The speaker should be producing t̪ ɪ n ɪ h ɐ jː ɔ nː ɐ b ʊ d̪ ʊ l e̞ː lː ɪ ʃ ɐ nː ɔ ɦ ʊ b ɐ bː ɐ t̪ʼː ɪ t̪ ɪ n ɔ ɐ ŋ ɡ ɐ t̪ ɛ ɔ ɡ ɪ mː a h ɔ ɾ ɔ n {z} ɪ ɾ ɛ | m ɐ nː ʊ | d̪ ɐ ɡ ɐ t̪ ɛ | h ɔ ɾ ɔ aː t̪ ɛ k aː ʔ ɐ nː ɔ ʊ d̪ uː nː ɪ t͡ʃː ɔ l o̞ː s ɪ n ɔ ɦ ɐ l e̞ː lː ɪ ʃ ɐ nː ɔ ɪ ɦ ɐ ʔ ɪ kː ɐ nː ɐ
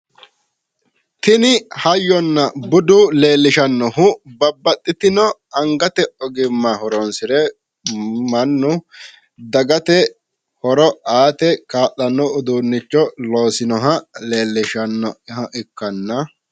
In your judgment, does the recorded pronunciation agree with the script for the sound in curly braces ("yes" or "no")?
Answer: no